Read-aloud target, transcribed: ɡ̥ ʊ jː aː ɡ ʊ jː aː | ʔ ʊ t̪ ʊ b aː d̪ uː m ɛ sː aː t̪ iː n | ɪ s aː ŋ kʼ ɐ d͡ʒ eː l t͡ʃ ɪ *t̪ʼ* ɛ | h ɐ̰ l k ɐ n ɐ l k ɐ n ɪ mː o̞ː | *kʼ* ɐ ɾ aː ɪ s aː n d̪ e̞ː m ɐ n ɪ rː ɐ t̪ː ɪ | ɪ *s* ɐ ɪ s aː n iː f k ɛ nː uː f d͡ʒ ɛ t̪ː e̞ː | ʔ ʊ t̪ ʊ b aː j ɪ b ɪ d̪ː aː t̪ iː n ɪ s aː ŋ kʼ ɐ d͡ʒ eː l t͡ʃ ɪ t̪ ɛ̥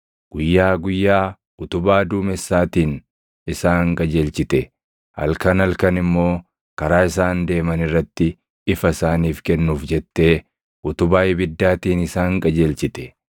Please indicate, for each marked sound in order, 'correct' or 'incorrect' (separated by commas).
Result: incorrect, incorrect, incorrect